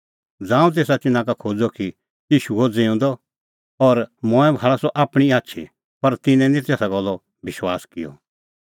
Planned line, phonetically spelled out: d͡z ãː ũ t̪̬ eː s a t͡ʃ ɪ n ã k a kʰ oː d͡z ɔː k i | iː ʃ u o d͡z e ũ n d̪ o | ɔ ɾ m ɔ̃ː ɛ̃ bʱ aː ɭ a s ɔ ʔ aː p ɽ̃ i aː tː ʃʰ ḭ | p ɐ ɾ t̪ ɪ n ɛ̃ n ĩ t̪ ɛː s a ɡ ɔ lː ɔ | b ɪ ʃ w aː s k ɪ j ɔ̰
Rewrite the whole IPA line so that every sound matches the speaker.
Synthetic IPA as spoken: d͡z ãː ũ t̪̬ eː s a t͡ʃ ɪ n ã k a kʰ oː d͡z ɔ k i | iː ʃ u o d͡z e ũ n d̪ ɔ | ɔ ɾ m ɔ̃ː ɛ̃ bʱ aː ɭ a s ɔ ʔ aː p ɽ̃ i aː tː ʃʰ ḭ | p ɐ ɾ t̪ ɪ n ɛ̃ n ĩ t̪ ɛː s a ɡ ɔ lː ɔ | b ɪ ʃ w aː s k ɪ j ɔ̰